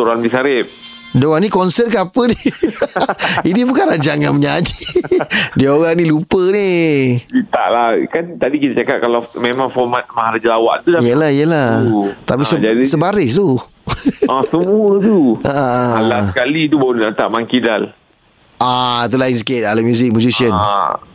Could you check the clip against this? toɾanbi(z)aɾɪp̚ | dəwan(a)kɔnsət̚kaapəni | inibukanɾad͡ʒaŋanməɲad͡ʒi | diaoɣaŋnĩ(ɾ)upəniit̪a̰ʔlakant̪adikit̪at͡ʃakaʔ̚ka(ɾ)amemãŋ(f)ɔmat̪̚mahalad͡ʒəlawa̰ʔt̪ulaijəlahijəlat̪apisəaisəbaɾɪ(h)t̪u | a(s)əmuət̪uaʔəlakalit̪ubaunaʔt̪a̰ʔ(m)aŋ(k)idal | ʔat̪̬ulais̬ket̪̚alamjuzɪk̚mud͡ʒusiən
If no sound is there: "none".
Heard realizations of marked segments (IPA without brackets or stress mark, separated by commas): s, i, l, l, f, s, s, m, k